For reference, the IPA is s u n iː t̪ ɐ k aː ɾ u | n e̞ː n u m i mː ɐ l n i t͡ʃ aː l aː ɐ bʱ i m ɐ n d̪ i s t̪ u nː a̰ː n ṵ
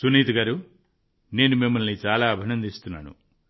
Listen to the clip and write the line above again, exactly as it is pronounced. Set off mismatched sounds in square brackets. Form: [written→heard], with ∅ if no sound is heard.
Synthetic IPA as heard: s u n iː t̪ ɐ [k→ɡ] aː ɾ u | n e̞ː n u m i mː ɐ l n i t͡ʃ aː l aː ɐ bʱ i [m→n] ɐ n d̪ i s t̪ u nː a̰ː n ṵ